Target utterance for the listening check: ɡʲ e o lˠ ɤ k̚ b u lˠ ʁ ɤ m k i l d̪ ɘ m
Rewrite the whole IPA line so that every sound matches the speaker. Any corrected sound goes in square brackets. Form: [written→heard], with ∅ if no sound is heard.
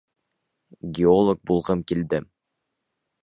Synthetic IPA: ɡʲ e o lˠ [ɤ→o] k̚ b u lˠ ʁ ɤ m k i l d̪ ɘ m

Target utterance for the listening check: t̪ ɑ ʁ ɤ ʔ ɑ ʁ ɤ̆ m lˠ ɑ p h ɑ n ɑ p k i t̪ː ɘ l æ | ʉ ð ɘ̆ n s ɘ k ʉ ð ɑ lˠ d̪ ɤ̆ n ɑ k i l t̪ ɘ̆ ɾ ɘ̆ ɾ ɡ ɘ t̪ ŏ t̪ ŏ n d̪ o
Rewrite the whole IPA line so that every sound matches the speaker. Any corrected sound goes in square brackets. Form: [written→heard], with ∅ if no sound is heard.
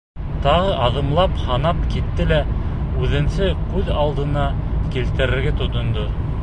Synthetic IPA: t̪ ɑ ʁ ɤ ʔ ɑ [ʁ→ð] ɤ̆ m lˠ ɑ p h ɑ n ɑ p k i t̪ː ɘ l æ | ʉ ð ɘ̆ n s ɘ k ʉ ð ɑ lˠ d̪ ɤ̆ n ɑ k i l t̪ ɘ̆ ɾ ɘ̆ ɾ ɡ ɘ t̪ ŏ t̪ ŏ n d̪ o

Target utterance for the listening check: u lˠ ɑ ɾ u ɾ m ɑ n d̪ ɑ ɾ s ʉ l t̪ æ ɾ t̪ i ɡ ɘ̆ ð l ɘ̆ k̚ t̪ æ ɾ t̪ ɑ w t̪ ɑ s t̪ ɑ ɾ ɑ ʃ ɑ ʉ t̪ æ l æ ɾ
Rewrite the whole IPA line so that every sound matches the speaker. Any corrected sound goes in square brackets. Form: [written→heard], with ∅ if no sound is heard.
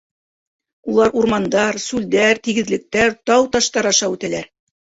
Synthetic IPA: u lˠ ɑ ɾ u ɾ m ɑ n d̪ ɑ ɾ s ʉ l [t̪→d̪] æ ɾ t̪ i ɡ ɘ̆ ð l ɘ̆ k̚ t̪ æ ɾ t̪ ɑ w t̪ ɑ [s→ʃ] t̪ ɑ ɾ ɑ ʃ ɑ ʉ t̪ æ l æ ɾ

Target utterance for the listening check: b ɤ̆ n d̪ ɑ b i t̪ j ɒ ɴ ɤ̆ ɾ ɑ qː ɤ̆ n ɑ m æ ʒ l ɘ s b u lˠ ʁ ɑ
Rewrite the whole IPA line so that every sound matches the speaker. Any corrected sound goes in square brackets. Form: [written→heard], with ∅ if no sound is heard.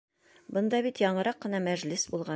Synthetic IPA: b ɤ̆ n d̪ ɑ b i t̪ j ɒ ɴ ɤ̆ ɾ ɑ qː ɤ̆ n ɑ m æ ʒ l ɘ s b u lˠ ʁ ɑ

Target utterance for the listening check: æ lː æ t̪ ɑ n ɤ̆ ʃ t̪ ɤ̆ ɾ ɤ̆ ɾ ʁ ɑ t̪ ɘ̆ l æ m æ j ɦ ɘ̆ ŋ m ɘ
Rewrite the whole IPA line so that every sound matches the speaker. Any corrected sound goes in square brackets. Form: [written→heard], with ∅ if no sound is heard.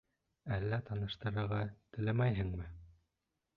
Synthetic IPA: æ lː æ t̪ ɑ n ɤ̆ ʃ t̪ ɤ̆ ɾ ɤ̆ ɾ ʁ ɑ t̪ ɘ̆ l æ m æ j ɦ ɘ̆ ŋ m ɘ

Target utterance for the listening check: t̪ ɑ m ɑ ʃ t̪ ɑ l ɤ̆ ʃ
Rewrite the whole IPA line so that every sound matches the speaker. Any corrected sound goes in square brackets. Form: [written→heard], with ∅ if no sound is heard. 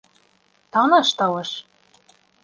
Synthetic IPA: t̪ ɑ [m→n] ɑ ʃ t̪ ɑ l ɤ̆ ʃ

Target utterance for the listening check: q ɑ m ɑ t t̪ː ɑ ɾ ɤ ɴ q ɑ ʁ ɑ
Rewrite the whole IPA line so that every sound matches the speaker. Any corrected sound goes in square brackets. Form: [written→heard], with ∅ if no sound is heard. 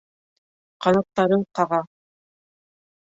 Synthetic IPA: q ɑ [m→n] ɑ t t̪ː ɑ ɾ ɤ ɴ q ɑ ʁ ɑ

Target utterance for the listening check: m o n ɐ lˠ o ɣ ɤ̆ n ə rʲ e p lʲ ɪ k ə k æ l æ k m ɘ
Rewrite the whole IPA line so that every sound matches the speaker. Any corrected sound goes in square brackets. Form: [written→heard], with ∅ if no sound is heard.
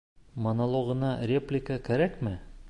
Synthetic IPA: m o n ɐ lˠ o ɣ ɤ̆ n [ə→ɑ] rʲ e p lʲ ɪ k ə k æ [l→ɾ] æ k m ɘ

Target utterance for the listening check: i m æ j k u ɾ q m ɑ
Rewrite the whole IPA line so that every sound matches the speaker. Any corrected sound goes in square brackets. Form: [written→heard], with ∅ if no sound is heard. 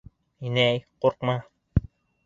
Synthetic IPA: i [m→n] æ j [k→q] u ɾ q m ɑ

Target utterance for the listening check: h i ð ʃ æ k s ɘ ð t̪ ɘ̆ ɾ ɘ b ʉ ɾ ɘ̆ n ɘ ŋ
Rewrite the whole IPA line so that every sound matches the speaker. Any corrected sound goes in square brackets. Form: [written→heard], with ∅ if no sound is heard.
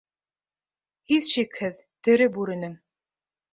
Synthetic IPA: h i ð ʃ [æ→i] k [s→h] ɘ ð t̪ ɘ̆ ɾ ɘ b ʉ ɾ ɘ̆ n ɘ ŋ

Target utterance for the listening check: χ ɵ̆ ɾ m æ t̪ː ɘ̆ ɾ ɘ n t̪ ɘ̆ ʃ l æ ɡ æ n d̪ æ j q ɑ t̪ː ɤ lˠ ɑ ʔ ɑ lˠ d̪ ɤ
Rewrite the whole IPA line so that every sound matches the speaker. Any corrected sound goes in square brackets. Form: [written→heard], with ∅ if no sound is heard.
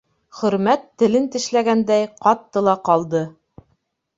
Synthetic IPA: χ ɵ̆ ɾ m æ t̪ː ɘ̆ [ɾ→l] ɘ n t̪ ɘ̆ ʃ l æ ɡ æ n d̪ æ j q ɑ t̪ː ɤ lˠ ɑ [ʔ→q] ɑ lˠ d̪ ɤ

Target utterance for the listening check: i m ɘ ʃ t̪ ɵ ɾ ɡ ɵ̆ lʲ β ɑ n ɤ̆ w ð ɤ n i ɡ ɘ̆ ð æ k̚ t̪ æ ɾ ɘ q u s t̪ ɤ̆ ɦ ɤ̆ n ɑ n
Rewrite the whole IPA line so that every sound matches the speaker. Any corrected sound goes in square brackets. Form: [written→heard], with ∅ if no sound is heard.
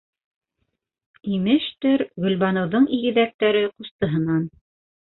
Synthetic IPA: i m ɘ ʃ t̪ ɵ ɾ ɡ ɵ̆ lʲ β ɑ n ɤ̆ w ð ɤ [n→ɴ] i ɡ ɘ̆ ð æ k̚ t̪ æ ɾ ɘ q u s t̪ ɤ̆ ɦ ɤ̆ n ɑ n

